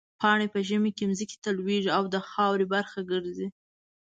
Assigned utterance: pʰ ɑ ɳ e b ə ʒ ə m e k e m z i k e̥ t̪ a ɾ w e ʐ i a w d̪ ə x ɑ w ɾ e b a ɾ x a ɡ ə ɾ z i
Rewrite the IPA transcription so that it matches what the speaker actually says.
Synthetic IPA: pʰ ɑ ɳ e p ə ʒ ə m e k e m z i k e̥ t̪ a l w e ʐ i a w d̪ ə x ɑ w ɾ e b a ɾ x a ɡ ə ɾ z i